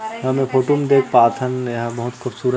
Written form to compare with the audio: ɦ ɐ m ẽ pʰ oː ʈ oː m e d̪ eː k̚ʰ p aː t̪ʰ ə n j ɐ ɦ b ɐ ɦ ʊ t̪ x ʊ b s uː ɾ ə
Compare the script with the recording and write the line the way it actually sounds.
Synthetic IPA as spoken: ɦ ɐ m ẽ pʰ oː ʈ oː m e d̪ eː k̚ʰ p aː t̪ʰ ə n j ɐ ɦ b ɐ ɦ ʊ t̪ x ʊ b s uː ɾ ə